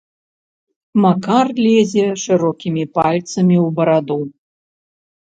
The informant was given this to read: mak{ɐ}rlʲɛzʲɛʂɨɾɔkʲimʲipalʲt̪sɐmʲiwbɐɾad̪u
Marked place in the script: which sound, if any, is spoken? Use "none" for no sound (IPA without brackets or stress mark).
a